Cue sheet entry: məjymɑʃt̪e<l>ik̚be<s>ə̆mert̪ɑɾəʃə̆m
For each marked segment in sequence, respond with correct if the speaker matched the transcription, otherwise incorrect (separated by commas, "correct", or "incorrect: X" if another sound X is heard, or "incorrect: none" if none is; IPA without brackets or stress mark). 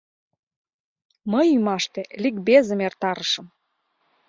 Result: correct, incorrect: z